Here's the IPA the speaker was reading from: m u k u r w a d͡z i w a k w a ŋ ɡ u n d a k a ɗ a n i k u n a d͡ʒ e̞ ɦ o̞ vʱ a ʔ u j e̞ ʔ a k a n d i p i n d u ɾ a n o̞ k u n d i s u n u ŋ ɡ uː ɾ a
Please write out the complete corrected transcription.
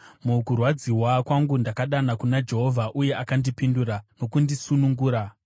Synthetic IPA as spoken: m u k u r w a d͡z i w a k w a ŋ ɡ u n d a k a ɗ a n a k u n a d͡ʒ e̞ ɦ o̞ vʱ a ʔ u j e̞ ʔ a k a n d i p i n d u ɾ a n o̞ k u n d i s u n u ŋ ɡ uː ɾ a